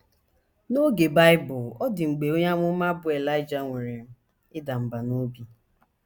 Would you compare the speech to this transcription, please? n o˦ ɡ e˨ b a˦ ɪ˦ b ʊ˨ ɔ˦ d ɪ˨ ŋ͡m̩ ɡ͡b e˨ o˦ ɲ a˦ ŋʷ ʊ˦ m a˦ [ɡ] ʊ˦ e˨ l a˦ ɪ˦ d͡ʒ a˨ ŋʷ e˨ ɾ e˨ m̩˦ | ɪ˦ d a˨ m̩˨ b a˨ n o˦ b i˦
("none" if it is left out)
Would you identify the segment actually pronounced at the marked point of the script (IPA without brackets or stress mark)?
b